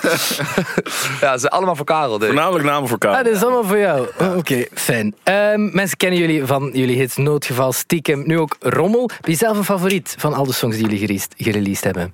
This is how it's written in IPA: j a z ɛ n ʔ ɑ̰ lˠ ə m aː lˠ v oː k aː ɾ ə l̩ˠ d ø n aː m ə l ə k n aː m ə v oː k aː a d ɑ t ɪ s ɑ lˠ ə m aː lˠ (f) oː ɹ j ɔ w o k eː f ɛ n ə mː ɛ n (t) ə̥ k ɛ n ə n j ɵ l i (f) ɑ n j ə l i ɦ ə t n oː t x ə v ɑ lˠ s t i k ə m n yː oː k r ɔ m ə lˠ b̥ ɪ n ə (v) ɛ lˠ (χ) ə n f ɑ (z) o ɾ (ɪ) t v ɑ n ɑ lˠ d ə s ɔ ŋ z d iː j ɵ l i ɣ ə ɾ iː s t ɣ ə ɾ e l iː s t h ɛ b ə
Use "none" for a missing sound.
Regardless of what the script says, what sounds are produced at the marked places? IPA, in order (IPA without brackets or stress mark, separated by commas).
v, s, v, z, f, v, i